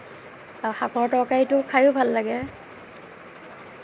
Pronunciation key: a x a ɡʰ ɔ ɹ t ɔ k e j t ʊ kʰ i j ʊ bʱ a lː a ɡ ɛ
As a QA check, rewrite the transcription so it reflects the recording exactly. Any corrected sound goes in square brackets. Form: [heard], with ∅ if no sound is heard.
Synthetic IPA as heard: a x a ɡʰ ɔ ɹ t ɔ k [a] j t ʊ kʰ [a] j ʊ bʱ a lː a ɡ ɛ